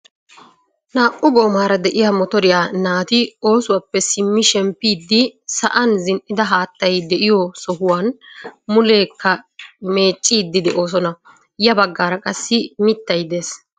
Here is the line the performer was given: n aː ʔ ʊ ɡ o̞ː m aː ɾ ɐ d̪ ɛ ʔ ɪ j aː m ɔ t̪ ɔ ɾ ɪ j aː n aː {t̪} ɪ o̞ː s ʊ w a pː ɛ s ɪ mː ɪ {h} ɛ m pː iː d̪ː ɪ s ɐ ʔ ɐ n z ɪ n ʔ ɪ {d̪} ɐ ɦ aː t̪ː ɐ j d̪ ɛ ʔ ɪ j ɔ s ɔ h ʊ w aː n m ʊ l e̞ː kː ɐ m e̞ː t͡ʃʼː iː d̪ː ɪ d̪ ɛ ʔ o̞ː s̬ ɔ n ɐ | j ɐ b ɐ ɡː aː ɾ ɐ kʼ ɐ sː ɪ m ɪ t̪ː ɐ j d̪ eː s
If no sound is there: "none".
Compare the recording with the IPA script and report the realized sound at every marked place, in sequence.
t̪, ʃ, d̪

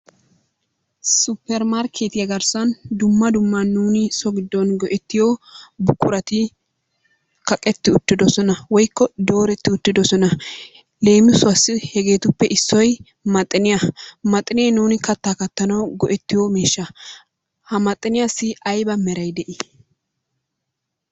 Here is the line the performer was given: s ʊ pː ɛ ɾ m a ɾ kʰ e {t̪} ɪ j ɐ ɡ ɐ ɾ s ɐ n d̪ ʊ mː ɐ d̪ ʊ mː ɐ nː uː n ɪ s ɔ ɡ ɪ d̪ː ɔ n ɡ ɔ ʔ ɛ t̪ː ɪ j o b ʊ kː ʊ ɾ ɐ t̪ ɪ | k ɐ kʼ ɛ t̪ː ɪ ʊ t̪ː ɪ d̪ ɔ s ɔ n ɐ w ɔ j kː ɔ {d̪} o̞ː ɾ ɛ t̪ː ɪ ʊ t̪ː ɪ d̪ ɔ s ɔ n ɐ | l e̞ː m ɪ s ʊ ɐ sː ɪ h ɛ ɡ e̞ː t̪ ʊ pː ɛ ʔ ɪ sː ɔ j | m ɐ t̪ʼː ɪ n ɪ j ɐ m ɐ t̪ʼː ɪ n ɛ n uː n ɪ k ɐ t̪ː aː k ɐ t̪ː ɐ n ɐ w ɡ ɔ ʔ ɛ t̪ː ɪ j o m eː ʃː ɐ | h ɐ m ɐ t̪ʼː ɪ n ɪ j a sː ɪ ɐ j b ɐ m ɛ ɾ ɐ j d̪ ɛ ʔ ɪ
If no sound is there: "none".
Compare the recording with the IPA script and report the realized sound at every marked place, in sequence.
t̪, d̪

